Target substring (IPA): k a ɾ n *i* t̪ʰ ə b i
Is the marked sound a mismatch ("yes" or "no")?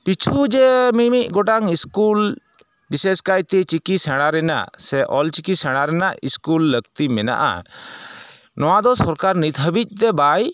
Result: no